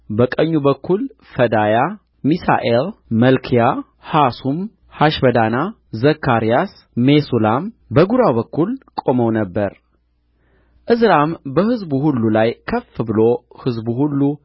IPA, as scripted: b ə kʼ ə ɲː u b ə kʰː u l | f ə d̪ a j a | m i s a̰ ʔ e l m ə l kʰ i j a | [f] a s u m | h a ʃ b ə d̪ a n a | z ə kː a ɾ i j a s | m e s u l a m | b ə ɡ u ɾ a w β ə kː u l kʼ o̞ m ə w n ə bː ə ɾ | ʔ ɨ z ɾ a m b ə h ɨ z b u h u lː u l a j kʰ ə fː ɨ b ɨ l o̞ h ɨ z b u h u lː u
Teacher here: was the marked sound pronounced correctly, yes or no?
no